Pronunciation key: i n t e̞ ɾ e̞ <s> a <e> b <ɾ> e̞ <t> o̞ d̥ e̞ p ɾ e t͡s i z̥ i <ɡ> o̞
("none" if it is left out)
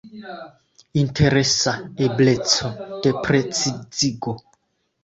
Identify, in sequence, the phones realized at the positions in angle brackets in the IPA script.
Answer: s, e, l, t͡s, ɡ

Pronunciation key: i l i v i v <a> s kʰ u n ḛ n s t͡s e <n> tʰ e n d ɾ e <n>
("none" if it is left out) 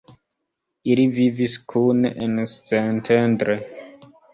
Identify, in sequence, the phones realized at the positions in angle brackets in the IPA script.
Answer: i, n, none

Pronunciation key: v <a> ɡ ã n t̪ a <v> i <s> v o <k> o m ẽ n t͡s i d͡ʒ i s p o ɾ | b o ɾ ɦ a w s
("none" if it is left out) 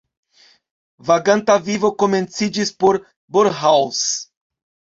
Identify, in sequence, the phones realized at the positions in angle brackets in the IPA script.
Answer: a, v, none, k

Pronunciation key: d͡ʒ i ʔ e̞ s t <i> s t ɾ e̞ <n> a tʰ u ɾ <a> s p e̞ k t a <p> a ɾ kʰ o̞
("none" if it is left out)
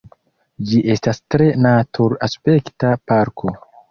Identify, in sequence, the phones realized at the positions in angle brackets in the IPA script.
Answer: a, n, a, p

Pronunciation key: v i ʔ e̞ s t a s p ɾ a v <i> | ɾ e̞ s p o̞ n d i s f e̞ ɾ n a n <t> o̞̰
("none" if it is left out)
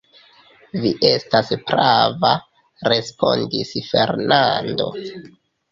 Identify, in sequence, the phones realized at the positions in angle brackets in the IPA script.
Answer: a, d

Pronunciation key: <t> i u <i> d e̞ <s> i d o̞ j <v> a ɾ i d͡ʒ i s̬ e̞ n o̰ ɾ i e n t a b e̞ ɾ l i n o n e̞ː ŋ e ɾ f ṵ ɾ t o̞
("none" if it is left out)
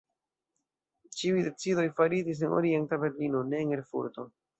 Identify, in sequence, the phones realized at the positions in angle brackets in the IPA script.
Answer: t͡ʃ, j, t͡s, f

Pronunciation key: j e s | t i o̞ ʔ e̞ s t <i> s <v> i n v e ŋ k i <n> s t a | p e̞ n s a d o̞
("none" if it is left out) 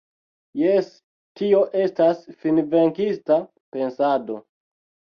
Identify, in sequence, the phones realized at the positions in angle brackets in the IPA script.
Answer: a, f, none

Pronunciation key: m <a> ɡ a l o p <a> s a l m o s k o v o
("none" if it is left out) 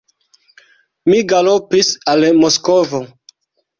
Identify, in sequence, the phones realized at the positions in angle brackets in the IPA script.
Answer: i, i

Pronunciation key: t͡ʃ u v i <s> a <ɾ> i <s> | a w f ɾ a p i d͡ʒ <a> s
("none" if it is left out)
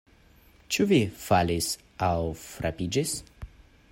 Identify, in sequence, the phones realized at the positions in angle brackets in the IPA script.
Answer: f, l, s, i

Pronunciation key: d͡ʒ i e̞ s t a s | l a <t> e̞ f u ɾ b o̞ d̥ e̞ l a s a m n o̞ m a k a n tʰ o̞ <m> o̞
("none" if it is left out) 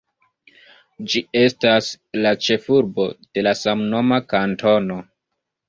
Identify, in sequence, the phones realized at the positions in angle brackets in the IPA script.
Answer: t͡ʃ, n

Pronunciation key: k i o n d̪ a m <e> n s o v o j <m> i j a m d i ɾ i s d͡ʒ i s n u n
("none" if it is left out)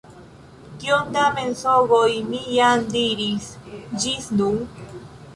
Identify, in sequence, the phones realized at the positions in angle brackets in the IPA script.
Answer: e, m

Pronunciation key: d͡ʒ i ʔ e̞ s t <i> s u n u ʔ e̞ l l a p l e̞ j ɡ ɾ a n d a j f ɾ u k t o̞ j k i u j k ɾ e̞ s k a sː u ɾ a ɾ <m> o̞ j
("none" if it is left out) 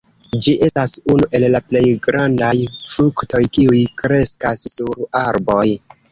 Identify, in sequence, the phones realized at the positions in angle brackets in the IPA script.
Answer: a, b

